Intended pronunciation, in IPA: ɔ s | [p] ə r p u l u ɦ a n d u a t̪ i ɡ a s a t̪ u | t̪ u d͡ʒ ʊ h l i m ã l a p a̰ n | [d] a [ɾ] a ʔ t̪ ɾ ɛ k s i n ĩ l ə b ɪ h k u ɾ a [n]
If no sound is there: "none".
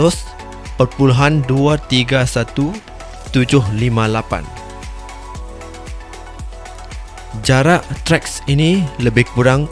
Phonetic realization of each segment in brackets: p, d͡ʒ, ɾ, ŋ

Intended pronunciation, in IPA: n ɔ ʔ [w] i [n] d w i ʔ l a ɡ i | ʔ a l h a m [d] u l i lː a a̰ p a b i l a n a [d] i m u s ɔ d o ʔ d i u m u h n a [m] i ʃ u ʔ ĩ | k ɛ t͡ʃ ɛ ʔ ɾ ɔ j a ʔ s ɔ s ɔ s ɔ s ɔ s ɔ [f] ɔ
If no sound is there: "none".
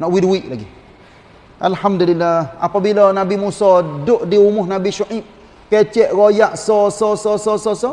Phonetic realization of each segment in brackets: w, none, d, b, b, s

